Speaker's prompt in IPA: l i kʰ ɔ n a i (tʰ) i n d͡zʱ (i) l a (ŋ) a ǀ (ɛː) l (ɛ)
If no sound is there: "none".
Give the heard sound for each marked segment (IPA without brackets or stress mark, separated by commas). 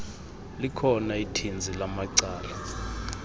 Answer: tʰ, i, m, aː, a